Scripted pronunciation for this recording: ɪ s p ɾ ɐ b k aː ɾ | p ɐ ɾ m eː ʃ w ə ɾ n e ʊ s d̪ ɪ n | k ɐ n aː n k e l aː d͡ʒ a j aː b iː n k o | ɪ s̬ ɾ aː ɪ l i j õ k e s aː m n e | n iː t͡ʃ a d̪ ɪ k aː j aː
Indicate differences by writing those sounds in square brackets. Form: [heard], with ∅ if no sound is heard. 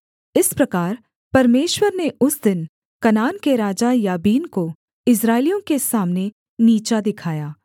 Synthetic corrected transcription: ɪ s p ɾ ɐ [∅] k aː ɾ | p ɐ ɾ m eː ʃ w ə ɾ n e ʊ s d̪ ɪ n | k ɐ n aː n k e [ɾ] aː d͡ʒ a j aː b iː n k o | ɪ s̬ ɾ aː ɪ l i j õ k e s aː m n e | n iː t͡ʃ a d̪ ɪ [kʰ] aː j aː